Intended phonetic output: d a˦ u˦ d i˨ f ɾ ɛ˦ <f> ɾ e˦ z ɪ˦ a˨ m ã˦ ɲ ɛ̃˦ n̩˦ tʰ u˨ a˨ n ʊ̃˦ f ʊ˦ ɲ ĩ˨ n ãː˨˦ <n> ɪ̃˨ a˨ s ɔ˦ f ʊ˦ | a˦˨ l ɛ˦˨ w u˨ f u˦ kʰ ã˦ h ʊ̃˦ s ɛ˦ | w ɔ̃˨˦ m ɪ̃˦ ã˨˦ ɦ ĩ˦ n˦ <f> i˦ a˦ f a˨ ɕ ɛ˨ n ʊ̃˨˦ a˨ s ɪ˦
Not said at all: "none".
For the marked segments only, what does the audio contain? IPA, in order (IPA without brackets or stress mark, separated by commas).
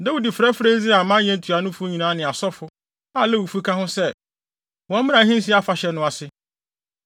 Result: f, n, s